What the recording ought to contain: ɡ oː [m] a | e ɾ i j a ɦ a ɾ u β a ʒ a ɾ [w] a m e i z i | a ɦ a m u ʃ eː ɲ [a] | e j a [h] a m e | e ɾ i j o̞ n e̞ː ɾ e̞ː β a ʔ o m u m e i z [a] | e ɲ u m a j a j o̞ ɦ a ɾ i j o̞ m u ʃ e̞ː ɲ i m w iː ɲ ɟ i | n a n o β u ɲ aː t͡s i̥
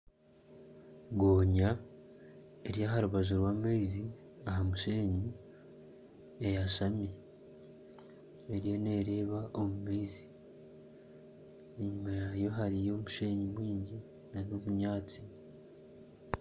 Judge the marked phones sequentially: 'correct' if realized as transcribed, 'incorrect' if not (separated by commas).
incorrect, correct, incorrect, incorrect, incorrect